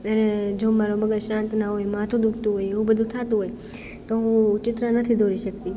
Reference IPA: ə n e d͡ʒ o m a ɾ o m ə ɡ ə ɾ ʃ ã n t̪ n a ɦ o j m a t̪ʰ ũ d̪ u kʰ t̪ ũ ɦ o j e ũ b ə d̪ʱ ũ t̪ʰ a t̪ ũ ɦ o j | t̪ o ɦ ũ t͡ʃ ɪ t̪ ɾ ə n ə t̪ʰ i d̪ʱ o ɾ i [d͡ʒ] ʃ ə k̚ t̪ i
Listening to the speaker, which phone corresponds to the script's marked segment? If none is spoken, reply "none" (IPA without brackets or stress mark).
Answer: none